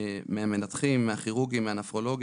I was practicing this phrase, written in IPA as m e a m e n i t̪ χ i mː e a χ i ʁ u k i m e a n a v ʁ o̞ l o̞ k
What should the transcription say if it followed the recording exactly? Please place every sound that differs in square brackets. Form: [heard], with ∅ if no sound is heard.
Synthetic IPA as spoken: m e a m e n [a] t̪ χ i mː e a χ i ʁ u [ɡ] i m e a n a [f] ʁ o̞ l o̞ [ɡ]